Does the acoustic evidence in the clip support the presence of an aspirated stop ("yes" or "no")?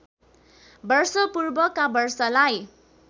no